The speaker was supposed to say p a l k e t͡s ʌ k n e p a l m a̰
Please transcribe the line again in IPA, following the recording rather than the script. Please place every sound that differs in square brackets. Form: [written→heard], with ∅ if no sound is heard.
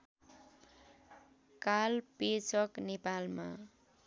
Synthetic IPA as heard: [p→k] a l [k→p] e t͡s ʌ k n e p a l m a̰

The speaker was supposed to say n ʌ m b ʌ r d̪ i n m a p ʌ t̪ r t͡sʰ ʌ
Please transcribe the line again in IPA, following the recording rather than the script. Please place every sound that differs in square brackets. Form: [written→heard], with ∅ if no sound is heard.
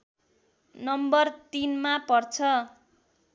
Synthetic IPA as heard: n ʌ m b ʌ r [d̪→t̪] i n m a p ʌ [t̪→∅] r t͡sʰ ʌ

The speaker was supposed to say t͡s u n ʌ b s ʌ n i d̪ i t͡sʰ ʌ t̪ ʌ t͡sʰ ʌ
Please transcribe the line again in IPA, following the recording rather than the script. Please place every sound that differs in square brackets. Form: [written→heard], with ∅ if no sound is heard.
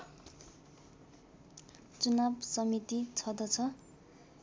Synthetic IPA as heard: t͡s u n [ʌ→a] b s ʌ [n→m] i [d̪→t̪] i t͡sʰ ʌ [t̪→d̪] ʌ t͡sʰ ʌ

